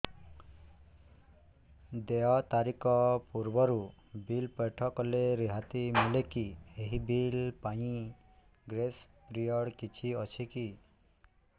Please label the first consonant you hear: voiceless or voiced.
voiced